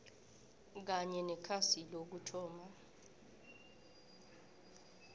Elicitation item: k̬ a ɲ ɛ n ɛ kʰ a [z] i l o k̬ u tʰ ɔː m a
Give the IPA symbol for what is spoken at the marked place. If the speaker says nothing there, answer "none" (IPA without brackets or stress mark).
s